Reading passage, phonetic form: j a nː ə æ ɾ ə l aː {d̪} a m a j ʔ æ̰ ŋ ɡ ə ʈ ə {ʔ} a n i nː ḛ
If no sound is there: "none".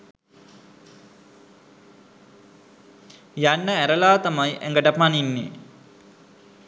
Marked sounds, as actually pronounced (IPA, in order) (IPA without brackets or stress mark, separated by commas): t̪, p